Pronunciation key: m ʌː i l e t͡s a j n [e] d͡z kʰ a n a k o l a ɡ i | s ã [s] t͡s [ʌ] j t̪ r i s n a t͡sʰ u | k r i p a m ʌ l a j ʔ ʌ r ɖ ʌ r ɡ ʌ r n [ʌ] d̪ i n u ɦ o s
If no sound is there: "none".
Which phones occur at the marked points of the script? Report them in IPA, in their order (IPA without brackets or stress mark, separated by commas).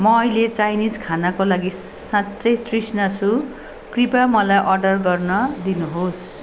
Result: i, t, ʌ, ʌ